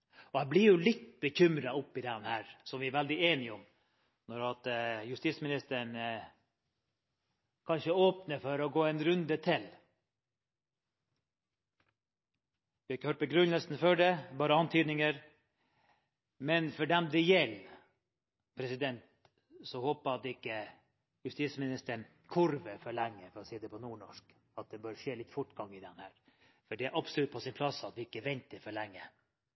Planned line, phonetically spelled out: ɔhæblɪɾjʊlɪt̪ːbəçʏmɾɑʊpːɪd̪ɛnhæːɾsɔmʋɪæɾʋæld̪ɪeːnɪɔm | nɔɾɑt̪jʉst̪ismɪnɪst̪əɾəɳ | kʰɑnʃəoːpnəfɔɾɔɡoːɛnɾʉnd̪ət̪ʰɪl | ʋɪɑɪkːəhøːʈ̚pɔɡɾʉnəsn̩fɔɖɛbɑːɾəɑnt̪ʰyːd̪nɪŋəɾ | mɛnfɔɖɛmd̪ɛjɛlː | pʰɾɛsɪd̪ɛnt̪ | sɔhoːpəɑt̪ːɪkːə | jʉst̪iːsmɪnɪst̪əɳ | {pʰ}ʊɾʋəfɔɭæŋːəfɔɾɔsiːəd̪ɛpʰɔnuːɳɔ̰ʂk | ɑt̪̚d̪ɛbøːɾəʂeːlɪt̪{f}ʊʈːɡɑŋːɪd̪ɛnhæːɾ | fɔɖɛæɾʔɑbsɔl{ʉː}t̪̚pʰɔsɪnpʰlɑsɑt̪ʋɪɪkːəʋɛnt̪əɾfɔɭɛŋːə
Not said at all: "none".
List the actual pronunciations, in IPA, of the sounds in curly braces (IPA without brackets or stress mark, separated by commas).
kʰ, f, ʉ